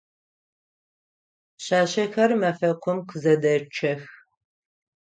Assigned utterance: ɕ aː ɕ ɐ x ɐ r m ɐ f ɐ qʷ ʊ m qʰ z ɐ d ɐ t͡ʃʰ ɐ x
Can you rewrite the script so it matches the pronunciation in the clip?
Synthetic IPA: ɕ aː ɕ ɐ x ɐ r m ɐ f ɐ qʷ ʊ m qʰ z ɐ d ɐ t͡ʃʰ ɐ x